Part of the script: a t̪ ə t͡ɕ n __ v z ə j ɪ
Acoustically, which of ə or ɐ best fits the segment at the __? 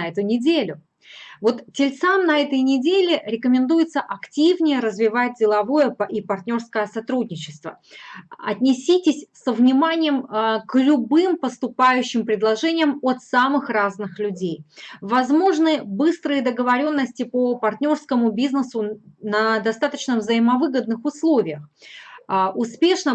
ə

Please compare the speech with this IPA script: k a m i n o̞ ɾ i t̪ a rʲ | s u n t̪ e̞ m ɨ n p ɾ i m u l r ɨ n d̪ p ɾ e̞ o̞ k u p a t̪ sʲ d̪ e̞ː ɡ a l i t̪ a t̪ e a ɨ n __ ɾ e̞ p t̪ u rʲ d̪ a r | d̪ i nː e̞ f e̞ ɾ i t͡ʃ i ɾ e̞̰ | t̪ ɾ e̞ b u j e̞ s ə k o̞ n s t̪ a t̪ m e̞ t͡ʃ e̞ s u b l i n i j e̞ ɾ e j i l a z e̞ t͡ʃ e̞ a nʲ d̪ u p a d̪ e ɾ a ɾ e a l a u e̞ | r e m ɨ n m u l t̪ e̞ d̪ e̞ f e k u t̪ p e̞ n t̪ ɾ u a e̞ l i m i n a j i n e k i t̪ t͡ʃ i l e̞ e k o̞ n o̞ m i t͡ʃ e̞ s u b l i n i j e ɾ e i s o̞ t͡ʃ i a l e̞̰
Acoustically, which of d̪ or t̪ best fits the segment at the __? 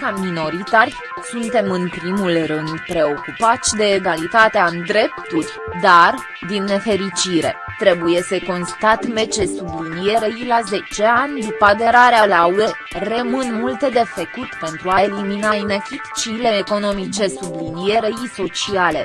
d̪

